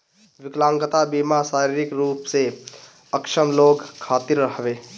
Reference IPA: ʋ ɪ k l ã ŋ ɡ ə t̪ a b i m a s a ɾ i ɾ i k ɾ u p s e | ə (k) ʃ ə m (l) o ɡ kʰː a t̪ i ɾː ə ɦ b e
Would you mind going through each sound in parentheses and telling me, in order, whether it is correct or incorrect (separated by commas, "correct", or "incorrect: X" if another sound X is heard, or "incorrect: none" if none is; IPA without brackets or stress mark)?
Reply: correct, correct